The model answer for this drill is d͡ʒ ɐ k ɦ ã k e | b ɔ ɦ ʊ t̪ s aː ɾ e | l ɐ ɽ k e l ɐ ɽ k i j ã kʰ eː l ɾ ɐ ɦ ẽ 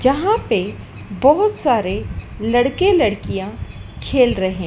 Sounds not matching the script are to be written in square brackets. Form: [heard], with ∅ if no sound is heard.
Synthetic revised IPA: d͡ʒ ɐ [∅] ɦ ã [p] e | b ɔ ɦ ʊ t̪ s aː ɾ e | l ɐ ɽ k e l ɐ ɽ k i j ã kʰ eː l ɾ ɐ ɦ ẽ